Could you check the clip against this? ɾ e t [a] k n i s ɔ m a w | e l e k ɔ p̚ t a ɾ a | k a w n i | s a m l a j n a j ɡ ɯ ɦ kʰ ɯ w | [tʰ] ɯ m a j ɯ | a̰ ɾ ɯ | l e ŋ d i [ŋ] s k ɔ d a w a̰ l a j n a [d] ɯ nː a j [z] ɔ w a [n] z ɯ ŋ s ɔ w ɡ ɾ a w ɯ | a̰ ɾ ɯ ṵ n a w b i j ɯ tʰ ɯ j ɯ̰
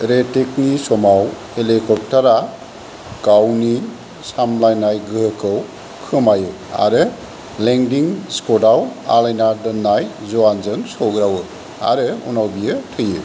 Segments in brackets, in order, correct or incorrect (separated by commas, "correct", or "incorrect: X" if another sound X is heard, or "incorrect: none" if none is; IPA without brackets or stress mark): incorrect: e, incorrect: kʰ, correct, correct, correct, correct